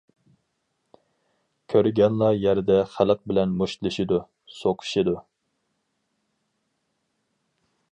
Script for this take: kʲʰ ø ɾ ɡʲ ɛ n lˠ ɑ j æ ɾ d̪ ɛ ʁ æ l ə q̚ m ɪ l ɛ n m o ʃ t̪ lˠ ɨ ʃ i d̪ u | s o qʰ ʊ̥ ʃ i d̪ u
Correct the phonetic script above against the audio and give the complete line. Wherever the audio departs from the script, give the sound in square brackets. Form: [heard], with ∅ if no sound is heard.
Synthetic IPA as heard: kʲʰ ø ɾ ɡʲ ɛ n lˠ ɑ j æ ɾ d̪ ɛ [χ] æ l ə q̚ [b] ɪ l ɛ n m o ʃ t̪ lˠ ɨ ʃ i d̪ u | s o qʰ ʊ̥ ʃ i d̪ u